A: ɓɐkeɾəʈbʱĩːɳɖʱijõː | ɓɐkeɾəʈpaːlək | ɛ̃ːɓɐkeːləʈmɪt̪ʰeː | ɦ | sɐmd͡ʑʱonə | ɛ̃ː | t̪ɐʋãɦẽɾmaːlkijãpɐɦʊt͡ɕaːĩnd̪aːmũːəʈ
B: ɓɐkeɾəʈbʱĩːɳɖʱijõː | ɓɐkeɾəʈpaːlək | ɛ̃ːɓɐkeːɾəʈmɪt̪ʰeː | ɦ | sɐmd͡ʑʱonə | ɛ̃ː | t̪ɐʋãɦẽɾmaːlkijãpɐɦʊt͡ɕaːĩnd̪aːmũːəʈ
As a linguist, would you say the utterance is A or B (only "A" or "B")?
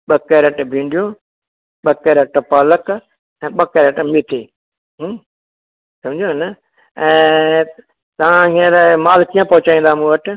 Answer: B